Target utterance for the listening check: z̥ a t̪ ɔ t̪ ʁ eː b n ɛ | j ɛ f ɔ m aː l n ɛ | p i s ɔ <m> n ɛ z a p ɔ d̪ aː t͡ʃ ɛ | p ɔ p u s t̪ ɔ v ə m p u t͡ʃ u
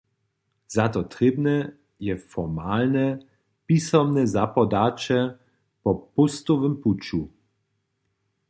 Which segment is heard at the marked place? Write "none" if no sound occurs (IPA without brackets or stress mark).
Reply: m